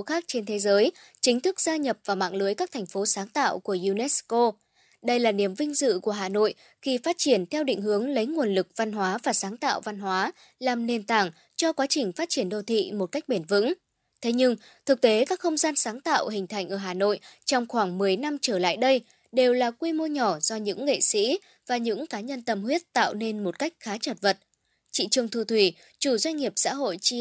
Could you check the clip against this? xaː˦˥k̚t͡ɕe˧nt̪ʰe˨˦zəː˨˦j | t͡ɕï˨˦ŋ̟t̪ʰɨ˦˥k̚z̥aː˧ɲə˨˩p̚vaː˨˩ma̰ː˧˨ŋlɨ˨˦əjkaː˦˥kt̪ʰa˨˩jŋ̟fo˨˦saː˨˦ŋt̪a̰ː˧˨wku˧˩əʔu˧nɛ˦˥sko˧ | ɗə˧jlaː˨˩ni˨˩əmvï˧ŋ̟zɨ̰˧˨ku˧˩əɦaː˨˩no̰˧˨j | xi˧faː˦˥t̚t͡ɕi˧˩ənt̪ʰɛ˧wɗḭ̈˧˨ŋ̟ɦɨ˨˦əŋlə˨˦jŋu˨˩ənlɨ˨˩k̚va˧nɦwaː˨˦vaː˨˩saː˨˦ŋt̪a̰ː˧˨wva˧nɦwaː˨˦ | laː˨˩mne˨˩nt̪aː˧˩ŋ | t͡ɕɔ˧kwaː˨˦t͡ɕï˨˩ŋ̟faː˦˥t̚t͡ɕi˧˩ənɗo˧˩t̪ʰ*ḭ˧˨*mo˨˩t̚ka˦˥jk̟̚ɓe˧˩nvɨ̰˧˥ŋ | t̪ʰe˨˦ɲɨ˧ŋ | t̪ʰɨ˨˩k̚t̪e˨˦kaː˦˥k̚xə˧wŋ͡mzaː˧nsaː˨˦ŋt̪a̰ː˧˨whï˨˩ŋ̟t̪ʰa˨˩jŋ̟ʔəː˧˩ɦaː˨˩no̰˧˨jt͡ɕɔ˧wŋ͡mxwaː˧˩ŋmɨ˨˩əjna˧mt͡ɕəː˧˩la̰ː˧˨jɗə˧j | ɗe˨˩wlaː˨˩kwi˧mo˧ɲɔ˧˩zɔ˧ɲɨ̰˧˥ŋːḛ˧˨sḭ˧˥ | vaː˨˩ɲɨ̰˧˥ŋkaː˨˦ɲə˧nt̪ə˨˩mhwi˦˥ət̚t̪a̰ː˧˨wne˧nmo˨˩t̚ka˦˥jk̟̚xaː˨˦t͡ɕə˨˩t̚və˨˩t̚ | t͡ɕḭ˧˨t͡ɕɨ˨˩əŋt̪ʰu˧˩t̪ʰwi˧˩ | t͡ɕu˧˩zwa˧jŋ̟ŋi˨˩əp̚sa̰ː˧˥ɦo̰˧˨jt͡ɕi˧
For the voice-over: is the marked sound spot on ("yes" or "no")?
yes